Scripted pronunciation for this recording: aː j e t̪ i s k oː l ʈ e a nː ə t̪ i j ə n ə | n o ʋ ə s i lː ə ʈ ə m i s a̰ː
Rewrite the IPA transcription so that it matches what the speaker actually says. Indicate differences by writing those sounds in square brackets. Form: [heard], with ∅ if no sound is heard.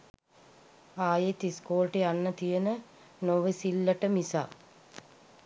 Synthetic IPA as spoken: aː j e t̪ i s k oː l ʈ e a nː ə t̪ i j ə n ə | n o ʋ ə s i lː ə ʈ ə m i s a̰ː